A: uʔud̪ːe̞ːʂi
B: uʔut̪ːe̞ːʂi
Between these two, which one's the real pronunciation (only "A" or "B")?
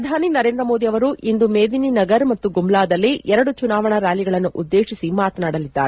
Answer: A